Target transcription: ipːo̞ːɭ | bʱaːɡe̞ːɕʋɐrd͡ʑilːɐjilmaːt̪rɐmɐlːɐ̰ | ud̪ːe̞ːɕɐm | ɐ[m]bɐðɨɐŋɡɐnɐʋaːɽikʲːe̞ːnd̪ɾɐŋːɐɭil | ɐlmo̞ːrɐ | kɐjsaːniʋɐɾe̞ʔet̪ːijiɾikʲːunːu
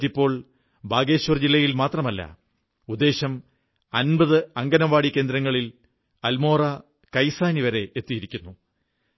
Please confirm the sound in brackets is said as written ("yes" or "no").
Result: no